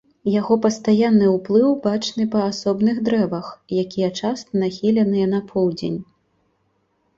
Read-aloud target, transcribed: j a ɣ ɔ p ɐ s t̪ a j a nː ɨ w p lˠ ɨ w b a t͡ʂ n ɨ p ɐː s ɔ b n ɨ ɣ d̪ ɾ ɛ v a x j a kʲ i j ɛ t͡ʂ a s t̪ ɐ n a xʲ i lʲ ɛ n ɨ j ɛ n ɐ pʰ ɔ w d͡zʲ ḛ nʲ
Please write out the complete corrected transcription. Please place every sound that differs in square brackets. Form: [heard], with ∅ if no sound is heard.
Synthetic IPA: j a ɣ ɔ p ɐ s t̪ a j a nː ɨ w p lˠ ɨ w b a t͡ʂ n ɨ p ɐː s ɔ b n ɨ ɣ d̪ ɾ ɛ v [ɐ] x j a kʲ i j ɛ t͡ʂ a s t̪ ɐ n a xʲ i lʲ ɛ n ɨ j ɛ n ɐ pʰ ɔ w d͡zʲ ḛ nʲ

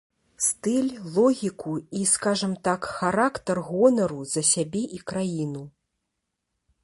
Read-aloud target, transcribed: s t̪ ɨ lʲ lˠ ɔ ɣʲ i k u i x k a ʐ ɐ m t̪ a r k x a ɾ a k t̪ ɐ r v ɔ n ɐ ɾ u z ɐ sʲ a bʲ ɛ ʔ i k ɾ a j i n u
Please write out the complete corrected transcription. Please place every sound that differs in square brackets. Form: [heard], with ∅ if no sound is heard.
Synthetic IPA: s t̪ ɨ lʲ lˠ ɔ ɣʲ i k u i [s] k a ʐ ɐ m t̪ a [∅] k x a ɾ a k t̪ ɐ r [ɣ] ɔ n ɐ ɾ u z ɐ sʲ a bʲ ɛ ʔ i k ɾ a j i n u

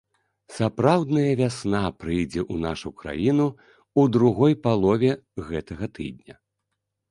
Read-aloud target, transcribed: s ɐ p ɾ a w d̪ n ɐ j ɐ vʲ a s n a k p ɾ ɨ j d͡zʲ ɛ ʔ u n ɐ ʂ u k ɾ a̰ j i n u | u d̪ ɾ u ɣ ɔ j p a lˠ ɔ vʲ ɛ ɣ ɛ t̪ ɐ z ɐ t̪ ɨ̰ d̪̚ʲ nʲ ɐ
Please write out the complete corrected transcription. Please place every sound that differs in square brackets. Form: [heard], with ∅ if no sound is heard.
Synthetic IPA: s [a] p ɾ a w d̪ n ɐ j ɐ vʲ a s n a [∅] p ɾ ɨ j d͡zʲ ɛ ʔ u n [a] ʂ u k ɾ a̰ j i n u | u d̪ ɾ u ɣ ɔ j p a lˠ ɔ vʲ ɛ ɣ ɛ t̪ ɐ [ɣ] ɐ t̪ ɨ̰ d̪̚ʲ nʲ ɐ

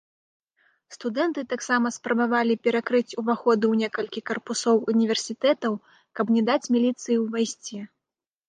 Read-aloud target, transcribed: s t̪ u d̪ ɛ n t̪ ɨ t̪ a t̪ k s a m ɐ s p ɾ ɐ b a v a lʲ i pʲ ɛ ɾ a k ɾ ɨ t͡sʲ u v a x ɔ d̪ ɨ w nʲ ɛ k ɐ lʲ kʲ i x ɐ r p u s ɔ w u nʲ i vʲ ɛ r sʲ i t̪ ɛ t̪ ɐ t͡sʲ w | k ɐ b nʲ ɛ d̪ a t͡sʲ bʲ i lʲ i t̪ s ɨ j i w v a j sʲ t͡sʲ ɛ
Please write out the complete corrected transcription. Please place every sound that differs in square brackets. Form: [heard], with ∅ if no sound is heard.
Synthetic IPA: s t̪ u d̪ ɛ n t̪ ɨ t̪ a [∅] k s a m ɐ s p ɾ ɐ b a v a lʲ i pʲ ɛ ɾ a k ɾ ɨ t͡sʲ u v a x ɔ d̪ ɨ w nʲ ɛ k ɐ lʲ kʲ i [k] ɐ r p u s ɔ w u nʲ i vʲ ɛ r sʲ i t̪ ɛ t̪ ɐ [∅] w | k ɐ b nʲ ɛ d̪ a t͡sʲ [mʲ] i lʲ i t̪ s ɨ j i w v a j sʲ t͡sʲ ɛ

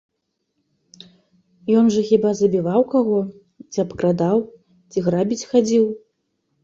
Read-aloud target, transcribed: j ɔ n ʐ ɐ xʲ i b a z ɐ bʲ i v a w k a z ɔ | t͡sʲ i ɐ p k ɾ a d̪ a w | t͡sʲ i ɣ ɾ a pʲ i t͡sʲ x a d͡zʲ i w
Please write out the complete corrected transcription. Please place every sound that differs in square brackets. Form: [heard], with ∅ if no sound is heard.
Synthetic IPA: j ɔ n ʐ ɐ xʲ i b a z ɐ bʲ i v a w k a [ɣ] ɔ | t͡sʲ i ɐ p k ɾ a d̪ a w | t͡sʲ i ɣ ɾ a [bʲ] i t͡sʲ x a d͡zʲ i w

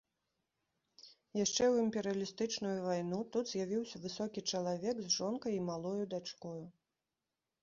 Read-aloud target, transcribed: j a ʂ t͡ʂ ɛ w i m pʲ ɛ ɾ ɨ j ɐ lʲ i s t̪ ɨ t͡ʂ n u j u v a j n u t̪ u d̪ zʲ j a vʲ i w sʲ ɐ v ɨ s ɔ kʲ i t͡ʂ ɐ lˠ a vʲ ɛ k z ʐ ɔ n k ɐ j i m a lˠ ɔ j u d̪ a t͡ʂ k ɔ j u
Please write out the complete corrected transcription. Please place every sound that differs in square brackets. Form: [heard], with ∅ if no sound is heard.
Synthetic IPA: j a ʂ t͡ʂ ɛ w i m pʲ ɛ ɾ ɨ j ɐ lʲ i s t̪ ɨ t͡ʂ n u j u v a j n u t̪ u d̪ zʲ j a vʲ i w sʲ ɐ v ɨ s ɔ kʲ i t͡ʂ ɐ lˠ a vʲ ɛ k z ʐ ɔ n k ɐ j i m a lˠ ɔ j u d̪ a t͡ʂ k ɔ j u

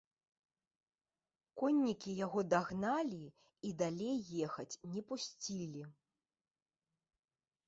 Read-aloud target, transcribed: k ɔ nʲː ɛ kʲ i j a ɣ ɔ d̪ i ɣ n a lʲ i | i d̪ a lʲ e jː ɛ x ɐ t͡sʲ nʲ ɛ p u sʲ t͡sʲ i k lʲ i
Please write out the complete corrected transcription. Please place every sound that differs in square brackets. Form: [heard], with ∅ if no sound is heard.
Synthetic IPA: k ɔ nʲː [i] kʲ i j a ɣ ɔ d̪ [a] ɣ n a lʲ i | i d̪ a lʲ e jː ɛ x ɐ t͡sʲ nʲ ɛ p u sʲ t͡sʲ i [∅] lʲ i

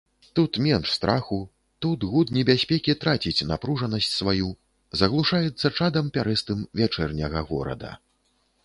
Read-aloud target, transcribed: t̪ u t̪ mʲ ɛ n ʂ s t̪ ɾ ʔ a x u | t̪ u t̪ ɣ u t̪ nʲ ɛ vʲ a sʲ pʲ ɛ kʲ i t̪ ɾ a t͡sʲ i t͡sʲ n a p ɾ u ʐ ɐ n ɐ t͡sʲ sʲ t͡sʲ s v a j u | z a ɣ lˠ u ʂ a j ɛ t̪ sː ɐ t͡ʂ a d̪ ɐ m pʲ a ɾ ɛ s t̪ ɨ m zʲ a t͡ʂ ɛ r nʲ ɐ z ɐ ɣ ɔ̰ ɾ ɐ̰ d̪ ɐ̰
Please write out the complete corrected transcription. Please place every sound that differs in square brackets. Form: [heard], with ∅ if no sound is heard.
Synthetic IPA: t̪ u t̪ mʲ ɛ n ʂ s t̪ ɾ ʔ a x u | t̪ u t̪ ɣ u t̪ nʲ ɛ [bʲ] a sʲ pʲ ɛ kʲ i t̪ ɾ a t͡sʲ i t͡sʲ n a p ɾ u ʐ ɐ n ɐ [∅] sʲ t͡sʲ s v a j u | z [ɐ] ɣ lˠ u ʂ a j ɛ t̪ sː ɐ t͡ʂ a d̪ ɐ m pʲ a ɾ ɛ s t̪ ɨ m [vʲ] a t͡ʂ ɛ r nʲ ɐ [ɣ] ɐ ɣ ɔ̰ ɾ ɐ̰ d̪ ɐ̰

